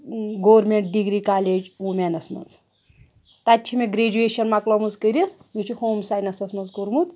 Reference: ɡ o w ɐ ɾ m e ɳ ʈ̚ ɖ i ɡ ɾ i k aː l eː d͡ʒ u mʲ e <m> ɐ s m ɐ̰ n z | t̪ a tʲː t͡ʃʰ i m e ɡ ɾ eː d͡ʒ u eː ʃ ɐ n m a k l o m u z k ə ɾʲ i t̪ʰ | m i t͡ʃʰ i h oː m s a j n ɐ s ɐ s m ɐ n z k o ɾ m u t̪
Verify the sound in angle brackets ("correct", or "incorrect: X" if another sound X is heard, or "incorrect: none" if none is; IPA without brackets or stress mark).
incorrect: n